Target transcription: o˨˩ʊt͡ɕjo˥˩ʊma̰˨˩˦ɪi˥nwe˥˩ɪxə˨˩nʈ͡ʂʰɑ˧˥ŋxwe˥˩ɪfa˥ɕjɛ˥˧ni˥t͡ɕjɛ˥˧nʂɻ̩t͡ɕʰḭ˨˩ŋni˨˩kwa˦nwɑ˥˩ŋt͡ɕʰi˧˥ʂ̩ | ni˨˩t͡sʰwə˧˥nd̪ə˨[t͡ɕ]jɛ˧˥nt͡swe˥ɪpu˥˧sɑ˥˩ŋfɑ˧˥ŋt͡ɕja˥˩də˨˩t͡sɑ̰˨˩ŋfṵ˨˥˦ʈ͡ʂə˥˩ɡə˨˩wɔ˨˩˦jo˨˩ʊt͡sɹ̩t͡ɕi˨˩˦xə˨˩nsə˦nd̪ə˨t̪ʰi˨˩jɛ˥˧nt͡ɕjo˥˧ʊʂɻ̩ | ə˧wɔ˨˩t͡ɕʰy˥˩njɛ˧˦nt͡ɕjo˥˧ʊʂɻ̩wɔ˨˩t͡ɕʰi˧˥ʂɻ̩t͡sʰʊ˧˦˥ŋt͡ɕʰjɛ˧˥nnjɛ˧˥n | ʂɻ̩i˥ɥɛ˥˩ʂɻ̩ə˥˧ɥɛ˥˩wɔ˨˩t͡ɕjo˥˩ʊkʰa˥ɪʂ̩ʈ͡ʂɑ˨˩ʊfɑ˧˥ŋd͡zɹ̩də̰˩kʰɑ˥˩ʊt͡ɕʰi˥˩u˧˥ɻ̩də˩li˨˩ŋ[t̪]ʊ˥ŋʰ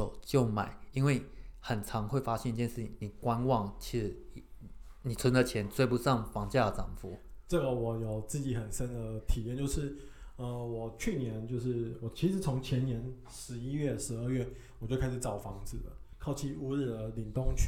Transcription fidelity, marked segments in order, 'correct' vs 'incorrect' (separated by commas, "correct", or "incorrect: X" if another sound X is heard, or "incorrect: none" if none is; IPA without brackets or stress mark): incorrect: t͡ɕʰ, correct